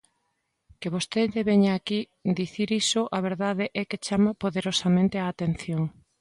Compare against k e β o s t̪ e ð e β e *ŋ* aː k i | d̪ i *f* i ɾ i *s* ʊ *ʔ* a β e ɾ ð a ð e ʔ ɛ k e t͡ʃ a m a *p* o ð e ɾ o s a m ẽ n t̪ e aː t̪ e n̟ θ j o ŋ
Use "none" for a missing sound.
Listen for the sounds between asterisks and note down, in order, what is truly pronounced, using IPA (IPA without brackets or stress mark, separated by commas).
ɲ, θ, s, ʔ, p